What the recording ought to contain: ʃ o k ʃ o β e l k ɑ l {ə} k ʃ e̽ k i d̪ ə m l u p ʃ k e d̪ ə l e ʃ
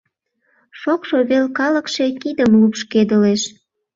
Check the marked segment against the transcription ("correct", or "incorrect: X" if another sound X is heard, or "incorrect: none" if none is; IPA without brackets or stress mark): correct